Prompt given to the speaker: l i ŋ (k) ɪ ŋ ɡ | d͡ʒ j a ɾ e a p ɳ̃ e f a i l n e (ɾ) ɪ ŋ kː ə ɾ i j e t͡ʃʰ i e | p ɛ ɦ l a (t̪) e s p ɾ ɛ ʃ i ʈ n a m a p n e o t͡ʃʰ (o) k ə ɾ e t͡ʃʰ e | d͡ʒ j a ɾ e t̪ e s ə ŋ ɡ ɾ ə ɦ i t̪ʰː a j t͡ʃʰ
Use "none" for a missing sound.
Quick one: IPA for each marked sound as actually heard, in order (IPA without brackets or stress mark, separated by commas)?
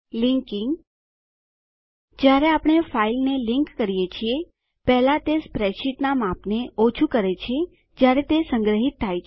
k, l, t̪, u